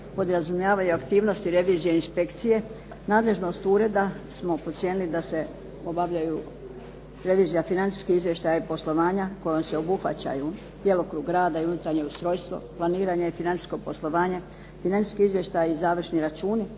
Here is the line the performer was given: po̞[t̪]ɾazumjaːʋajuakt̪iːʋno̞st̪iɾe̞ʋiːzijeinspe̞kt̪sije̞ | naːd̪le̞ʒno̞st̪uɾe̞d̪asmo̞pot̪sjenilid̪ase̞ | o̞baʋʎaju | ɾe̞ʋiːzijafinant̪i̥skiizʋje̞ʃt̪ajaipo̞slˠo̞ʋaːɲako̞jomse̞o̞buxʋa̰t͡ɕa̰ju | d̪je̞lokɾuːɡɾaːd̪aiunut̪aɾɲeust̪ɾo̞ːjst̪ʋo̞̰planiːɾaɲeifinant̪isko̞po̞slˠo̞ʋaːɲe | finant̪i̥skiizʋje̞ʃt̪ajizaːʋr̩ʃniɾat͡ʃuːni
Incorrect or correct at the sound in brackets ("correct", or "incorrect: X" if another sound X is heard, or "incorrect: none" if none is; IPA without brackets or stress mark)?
incorrect: d̪